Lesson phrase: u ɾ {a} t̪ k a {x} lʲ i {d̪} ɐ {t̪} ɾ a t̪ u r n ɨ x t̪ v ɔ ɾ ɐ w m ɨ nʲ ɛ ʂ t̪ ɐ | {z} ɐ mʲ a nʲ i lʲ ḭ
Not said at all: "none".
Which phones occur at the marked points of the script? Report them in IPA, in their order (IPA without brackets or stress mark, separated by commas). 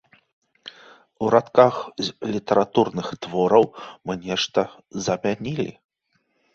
a, x, t̪, none, z